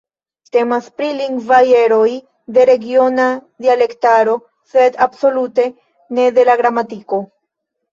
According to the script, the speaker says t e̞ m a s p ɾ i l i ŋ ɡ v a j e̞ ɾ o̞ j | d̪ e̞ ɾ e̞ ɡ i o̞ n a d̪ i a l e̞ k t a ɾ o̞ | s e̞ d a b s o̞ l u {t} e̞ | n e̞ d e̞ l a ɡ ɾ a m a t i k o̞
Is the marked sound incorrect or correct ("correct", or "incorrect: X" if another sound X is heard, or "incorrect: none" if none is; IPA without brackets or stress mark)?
correct